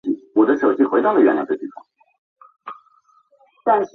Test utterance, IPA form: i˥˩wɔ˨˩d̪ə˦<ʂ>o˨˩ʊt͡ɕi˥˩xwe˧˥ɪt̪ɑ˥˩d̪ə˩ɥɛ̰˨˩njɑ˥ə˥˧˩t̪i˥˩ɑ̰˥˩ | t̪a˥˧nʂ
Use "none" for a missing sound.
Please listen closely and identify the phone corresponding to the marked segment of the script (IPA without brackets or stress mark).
ʂ